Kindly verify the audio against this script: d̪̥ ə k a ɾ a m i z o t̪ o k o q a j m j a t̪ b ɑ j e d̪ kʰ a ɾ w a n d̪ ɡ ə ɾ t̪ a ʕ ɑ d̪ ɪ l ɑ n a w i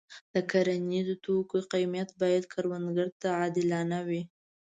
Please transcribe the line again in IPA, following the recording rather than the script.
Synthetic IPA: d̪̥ ə k a ɾ a n i z o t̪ o k o q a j m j a t̪ b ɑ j a d̪ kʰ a ɾ w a n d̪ ɡ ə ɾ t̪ a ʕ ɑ d̪ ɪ l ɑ n a w i